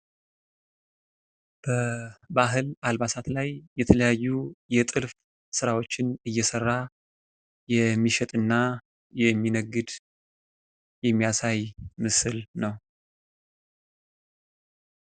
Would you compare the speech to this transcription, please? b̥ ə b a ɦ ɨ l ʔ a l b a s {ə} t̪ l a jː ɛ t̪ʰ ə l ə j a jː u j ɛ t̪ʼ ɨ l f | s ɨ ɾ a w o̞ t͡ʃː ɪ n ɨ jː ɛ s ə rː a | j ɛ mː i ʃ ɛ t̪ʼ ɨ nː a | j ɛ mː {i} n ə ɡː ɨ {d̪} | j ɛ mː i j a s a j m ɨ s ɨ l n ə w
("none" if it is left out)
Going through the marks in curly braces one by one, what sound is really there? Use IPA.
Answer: a, i, d̪

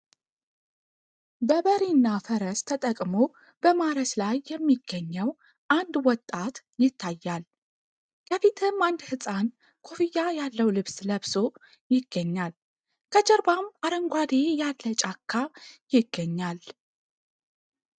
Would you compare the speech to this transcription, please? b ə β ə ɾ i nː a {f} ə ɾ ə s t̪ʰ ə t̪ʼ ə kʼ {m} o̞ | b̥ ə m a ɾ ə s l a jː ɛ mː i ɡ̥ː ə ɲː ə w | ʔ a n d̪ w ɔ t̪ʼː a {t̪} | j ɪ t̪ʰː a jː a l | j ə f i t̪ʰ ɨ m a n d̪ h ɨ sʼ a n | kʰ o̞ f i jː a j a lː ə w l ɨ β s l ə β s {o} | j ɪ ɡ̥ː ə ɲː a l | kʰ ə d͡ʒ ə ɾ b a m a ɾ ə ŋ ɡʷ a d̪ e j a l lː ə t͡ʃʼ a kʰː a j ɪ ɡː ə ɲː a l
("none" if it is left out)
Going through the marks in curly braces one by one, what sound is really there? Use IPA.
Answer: f, m, t̪, o

